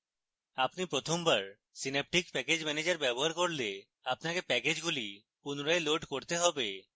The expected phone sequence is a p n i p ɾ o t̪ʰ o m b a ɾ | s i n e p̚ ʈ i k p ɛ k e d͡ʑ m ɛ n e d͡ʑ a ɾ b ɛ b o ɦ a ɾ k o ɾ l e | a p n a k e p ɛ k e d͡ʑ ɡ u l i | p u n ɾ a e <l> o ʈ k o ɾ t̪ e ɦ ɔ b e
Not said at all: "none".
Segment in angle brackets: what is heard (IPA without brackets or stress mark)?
l